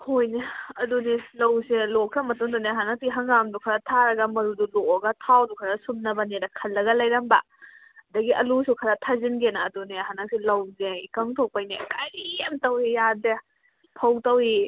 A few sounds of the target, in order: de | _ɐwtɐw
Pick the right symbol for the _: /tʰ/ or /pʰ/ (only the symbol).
pʰ